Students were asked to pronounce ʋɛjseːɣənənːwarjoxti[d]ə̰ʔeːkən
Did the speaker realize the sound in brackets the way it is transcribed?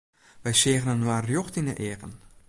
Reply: no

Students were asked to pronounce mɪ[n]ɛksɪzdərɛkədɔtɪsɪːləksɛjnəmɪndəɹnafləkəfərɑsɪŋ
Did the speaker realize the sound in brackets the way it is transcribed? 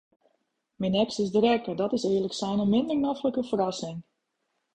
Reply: yes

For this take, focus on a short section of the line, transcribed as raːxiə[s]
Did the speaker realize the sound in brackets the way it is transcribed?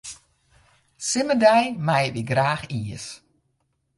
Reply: yes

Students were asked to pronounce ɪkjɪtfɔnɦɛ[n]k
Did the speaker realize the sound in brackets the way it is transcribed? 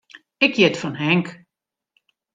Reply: no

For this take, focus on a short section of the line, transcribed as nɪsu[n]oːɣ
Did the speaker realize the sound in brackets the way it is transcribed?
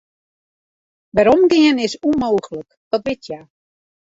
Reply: no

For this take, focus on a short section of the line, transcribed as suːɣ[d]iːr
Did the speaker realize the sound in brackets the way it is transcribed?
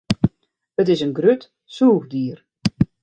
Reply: yes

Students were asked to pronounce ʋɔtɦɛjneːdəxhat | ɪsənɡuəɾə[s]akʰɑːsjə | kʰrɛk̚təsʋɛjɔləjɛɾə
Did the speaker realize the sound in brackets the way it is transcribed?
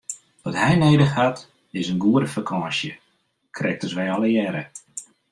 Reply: no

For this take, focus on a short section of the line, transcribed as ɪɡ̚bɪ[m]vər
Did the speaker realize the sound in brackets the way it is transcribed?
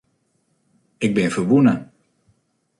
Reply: no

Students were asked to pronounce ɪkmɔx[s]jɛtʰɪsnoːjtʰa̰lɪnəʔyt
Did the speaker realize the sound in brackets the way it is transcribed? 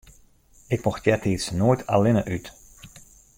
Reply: no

